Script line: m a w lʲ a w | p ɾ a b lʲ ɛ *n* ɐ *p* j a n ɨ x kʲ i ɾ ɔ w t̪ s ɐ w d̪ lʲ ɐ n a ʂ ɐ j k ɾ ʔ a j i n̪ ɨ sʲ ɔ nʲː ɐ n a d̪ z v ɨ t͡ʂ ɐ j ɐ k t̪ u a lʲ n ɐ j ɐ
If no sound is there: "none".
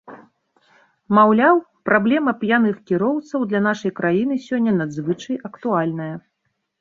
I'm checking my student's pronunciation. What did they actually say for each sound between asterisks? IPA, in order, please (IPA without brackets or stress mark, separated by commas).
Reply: m, p